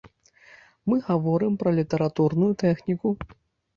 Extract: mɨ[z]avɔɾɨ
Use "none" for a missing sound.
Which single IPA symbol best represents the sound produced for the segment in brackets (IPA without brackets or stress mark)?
ɣ